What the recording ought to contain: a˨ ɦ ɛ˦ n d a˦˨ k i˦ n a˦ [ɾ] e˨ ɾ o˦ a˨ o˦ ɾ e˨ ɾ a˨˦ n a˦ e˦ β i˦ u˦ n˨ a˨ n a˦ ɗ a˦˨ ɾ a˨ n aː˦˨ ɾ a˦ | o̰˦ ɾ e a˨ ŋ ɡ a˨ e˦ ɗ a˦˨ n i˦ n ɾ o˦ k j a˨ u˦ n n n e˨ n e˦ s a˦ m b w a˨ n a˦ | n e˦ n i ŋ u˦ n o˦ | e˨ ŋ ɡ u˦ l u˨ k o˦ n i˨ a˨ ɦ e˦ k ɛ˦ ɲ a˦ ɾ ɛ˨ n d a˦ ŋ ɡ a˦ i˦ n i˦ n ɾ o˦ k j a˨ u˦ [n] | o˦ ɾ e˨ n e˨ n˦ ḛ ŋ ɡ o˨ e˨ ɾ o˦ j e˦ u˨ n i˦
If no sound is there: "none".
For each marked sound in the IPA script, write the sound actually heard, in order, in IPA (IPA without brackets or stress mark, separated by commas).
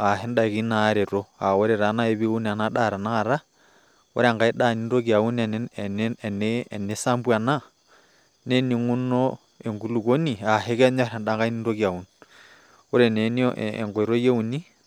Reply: ɾ, n